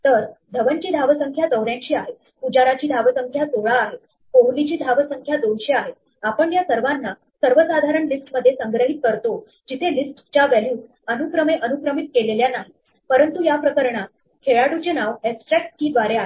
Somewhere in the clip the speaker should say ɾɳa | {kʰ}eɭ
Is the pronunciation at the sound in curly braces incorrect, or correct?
correct